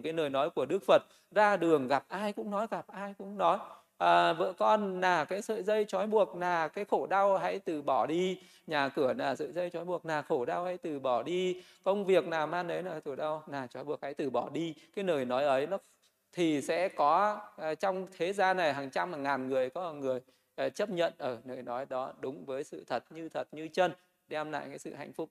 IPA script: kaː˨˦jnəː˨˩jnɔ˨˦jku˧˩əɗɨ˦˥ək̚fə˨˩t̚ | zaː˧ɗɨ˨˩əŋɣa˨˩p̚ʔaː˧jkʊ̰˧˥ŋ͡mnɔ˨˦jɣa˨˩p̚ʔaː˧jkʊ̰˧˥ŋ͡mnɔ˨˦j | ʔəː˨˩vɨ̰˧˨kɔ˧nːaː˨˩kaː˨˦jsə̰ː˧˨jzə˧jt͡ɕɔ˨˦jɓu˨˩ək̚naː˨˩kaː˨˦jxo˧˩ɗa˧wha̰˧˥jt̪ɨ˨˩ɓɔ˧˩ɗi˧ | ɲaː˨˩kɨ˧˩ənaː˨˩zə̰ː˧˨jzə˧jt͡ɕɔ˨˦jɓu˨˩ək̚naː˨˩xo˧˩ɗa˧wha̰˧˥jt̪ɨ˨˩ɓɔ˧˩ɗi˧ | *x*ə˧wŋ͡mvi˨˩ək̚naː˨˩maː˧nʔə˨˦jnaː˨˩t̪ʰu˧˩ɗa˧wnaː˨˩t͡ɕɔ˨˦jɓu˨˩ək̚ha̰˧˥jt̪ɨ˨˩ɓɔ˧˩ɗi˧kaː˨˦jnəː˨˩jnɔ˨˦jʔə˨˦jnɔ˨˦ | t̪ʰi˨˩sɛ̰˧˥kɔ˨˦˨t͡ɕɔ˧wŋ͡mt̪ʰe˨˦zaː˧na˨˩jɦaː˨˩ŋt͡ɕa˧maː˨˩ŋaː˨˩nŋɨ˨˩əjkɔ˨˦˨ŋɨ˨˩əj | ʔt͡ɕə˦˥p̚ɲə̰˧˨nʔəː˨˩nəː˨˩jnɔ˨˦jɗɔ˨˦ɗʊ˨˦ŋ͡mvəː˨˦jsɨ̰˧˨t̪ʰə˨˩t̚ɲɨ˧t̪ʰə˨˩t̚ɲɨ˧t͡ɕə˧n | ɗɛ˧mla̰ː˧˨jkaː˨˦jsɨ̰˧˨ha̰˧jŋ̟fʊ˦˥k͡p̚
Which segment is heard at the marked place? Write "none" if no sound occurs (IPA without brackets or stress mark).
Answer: k